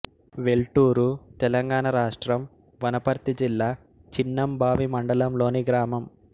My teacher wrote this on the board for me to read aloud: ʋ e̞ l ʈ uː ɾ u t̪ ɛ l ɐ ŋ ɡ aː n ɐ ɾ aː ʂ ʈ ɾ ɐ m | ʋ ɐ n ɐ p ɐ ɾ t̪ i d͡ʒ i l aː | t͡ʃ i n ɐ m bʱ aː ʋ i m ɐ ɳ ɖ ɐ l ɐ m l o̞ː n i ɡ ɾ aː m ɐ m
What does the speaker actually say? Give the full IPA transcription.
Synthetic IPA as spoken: ʋ e̞ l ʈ uː ɾ u t̪ ɛ l ɐ ŋ ɡ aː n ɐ ɾ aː ʂ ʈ ɾ ɐ m | ʋ ɐ n ɐ p ɐ ɾ t̪ i d͡ʒ i lː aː | t͡ʃ i nː ɐ m bʱ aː ʋ i m ɐ ɳ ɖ ɐ l ɐ m l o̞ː n i ɡ ɾ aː m ɐ m